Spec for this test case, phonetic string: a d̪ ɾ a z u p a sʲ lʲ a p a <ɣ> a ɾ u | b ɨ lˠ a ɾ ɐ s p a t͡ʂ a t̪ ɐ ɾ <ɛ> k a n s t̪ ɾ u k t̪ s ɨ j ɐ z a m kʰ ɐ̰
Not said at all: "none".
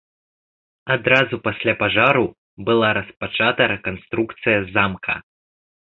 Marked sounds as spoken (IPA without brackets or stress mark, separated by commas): ʐ, ɛ